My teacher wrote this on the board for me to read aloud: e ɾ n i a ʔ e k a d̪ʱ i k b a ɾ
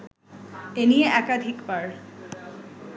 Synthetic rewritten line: e n i e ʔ ɛ k a d̪ʱ i k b a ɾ